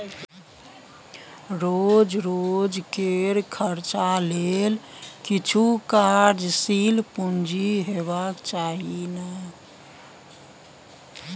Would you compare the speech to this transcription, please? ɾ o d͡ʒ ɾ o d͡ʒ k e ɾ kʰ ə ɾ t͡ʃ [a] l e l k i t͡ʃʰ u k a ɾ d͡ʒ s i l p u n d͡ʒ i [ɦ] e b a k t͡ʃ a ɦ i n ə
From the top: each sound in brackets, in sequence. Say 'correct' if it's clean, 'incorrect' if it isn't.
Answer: correct, correct

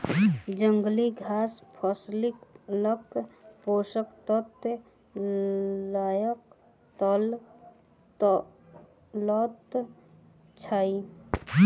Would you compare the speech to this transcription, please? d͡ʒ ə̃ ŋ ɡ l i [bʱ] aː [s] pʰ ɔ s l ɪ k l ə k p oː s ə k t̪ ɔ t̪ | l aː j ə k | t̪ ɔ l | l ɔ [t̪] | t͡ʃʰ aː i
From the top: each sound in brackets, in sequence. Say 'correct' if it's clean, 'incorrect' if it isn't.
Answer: incorrect, correct, correct

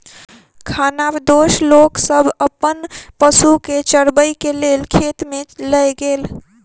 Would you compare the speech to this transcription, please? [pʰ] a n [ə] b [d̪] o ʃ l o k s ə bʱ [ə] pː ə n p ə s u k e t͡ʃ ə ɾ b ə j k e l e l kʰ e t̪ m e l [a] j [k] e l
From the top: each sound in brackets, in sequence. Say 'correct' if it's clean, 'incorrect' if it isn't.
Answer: incorrect, incorrect, correct, correct, incorrect, incorrect

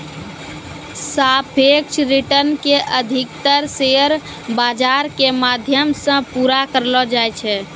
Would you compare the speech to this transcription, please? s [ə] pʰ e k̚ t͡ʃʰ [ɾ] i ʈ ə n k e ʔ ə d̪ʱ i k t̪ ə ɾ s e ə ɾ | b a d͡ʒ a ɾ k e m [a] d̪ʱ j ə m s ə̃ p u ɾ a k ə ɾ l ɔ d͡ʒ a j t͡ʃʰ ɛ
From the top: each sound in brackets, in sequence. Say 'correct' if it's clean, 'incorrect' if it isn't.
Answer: incorrect, correct, correct

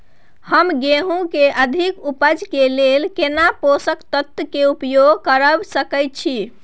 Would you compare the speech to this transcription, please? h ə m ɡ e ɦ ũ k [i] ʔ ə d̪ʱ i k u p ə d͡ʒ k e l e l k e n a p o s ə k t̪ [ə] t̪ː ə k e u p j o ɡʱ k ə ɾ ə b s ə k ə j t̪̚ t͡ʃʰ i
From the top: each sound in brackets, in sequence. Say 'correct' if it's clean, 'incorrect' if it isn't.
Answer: incorrect, correct

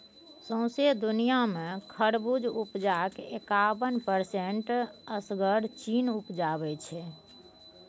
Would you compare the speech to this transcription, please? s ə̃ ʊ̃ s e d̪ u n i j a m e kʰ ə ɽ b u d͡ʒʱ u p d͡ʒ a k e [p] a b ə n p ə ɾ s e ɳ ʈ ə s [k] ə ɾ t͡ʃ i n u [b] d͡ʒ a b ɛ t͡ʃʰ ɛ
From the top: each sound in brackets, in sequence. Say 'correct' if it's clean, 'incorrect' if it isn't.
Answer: incorrect, incorrect, incorrect

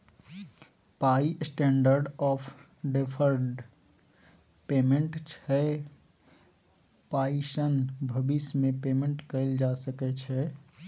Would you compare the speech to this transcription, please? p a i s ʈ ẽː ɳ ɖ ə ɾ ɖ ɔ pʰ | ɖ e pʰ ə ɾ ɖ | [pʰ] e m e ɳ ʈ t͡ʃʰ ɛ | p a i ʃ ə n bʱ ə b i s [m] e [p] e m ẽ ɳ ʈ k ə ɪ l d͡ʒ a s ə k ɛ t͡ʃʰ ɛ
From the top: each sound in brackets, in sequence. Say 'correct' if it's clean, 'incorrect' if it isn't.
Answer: incorrect, correct, correct

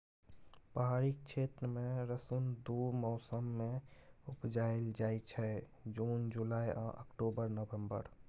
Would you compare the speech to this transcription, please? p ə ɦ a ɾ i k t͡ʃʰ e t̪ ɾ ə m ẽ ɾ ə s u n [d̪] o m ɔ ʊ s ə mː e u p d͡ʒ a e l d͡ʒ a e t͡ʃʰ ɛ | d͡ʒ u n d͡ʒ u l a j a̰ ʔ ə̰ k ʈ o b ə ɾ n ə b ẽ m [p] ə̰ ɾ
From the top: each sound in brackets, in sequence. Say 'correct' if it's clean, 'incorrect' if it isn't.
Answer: correct, incorrect

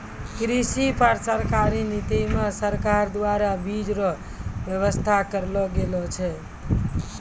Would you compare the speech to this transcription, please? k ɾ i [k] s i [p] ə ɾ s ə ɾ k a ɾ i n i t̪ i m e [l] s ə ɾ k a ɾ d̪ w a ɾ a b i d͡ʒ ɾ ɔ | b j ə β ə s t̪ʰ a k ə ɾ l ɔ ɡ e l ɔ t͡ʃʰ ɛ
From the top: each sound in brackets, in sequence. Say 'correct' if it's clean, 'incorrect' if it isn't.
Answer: incorrect, correct, incorrect

